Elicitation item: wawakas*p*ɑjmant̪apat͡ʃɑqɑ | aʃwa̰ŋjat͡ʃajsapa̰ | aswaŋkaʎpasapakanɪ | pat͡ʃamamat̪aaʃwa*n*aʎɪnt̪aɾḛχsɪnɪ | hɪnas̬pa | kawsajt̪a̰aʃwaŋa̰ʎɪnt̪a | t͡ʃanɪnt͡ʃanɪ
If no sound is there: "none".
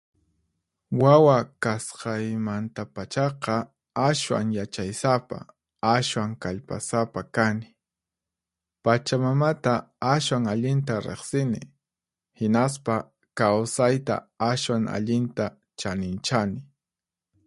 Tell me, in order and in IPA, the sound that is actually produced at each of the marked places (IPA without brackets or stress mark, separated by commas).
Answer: q, ŋ